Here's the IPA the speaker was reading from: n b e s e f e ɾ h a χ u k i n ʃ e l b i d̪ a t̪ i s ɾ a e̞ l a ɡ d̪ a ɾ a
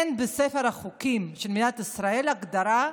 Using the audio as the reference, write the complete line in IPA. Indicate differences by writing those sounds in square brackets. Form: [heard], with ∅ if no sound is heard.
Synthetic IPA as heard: n b e s e f e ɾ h a χ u k i [m] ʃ e l [m] i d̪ a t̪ i s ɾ a e̞ l a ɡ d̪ a ɾ a